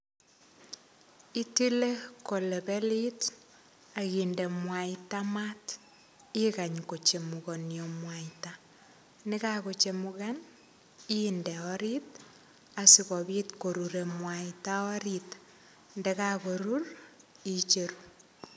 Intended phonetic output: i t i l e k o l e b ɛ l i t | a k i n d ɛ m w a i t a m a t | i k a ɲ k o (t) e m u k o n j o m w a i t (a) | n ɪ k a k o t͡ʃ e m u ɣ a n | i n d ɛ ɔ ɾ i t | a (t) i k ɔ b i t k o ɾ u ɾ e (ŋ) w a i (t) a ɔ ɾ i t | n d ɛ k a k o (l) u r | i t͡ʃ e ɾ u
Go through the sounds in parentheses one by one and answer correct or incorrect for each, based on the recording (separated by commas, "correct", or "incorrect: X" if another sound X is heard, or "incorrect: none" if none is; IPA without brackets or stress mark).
incorrect: t͡ʃ, correct, incorrect: s, incorrect: m, correct, incorrect: ɾ